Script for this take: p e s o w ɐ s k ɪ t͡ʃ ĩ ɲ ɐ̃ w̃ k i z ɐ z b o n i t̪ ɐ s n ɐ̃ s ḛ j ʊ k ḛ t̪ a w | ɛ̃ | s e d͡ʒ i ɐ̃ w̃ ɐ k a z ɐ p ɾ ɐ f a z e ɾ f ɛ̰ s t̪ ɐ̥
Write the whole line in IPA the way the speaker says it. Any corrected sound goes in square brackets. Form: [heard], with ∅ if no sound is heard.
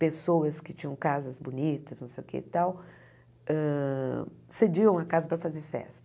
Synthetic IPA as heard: p e s o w ɐ s k ɪ t͡ʃ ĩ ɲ ɐ̃ w̃ k [a] z ɐ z b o n i t̪ ɐ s n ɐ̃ s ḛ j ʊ k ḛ t̪ a w | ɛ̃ | s e d͡ʒ i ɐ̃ w̃ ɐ k a z ɐ p ɾ ɐ f a z e ɾ f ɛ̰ s t̪ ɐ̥

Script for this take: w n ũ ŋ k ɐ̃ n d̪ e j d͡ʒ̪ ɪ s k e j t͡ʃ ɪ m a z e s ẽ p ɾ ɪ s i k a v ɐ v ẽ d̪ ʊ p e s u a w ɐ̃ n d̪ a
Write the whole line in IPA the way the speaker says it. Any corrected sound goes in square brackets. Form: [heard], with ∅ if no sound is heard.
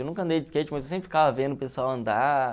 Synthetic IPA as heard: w n ũ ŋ k ɐ̃ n d̪ e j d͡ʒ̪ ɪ s k e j t͡ʃ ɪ m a z e s ẽ p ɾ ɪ [f] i k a v ɐ v ẽ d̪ ʊ p e s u a w ɐ̃ n d̪ a

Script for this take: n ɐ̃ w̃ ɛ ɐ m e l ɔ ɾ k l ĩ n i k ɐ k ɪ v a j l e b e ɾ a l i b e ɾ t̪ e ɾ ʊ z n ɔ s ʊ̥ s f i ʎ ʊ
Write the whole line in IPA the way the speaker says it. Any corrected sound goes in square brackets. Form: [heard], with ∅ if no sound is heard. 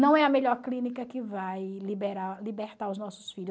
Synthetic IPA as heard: n ɐ̃ w̃ ɛ ɐ m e [ʎ] ɔ ɾ k l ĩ n i k ɐ k ɪ v a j l [i] b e ɾ a l i b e ɾ t̪ [a] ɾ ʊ z n ɔ s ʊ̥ s f i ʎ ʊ

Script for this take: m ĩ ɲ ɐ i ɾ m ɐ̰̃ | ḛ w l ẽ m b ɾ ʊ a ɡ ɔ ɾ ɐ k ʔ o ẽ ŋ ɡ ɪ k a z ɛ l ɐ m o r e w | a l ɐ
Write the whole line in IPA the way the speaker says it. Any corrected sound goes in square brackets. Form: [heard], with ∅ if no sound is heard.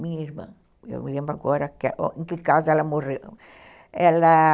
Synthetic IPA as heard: m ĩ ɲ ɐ i ɾ m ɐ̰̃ | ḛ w l ẽ m b ɾ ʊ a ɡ ɔ ɾ ɐ k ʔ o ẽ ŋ [k] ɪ k a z ɛ l ɐ m o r e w | [ɛ] l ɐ

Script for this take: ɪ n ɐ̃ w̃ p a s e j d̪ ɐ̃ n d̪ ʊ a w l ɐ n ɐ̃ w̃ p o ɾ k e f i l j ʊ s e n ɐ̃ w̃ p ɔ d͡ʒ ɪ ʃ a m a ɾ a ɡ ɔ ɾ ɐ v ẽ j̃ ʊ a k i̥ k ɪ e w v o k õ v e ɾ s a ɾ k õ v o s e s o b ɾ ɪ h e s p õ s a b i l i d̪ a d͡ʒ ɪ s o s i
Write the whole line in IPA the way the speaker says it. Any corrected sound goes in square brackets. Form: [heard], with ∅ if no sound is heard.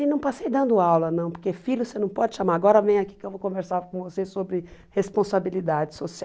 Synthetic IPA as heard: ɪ n ɐ̃ w̃ p a s e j d̪ ɐ̃ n d̪ ʊ a w l ɐ n ɐ̃ w̃ p o ɾ k e f i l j ʊ s e n ɐ̃ w̃ p ɔ d͡ʒ ɪ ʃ a m a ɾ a ɡ ɔ ɾ ɐ v ẽ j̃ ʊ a k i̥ k ɪ e w v o k õ v e ɾ s a ɾ k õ v o s e s o b ɾ ɪ h e s p õ s a b i l i d̪ a d͡ʒ ɪ s o s i

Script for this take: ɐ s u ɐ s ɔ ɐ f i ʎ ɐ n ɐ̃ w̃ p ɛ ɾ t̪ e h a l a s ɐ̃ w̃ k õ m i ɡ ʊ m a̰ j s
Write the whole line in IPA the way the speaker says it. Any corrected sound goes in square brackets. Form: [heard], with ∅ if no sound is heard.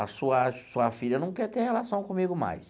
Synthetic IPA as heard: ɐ s u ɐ s [u] ɐ f i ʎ ɐ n ɐ̃ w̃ [k] ɛ ɾ t̪ e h [e] l a s ɐ̃ w̃ k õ m i ɡ ʊ m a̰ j s

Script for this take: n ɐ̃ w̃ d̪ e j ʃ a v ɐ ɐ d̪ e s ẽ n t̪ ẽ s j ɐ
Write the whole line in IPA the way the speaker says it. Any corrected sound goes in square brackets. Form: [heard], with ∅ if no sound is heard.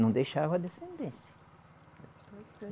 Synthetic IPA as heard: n ɐ̃ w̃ d̪ e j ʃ a v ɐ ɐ d̪ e s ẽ n [d̪] ẽ s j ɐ

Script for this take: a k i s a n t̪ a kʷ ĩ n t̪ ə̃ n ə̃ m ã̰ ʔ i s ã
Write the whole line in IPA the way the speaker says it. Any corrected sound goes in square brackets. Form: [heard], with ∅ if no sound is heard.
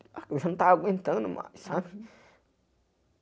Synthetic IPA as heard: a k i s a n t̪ a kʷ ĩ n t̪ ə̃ n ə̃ m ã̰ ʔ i s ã

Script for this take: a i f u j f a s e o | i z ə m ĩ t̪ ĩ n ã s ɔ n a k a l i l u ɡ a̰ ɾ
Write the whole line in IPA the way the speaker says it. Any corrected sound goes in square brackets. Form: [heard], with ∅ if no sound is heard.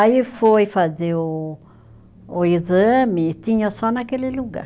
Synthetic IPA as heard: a i f [o] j f a [z] e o | i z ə m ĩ t̪ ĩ [ɲ] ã s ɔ n a k [e] l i l u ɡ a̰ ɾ

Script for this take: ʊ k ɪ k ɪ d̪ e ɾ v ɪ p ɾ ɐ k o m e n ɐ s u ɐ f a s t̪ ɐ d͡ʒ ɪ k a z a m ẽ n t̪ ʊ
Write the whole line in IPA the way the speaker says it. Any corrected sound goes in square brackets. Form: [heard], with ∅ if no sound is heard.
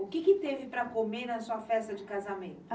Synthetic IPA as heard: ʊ k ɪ k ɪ [t̪] e [∅] v ɪ p ɾ ɐ k o m e n ɐ s u ɐ f [ɛ] s t̪ ɐ d͡ʒ ɪ k a z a m ẽ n t̪ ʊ

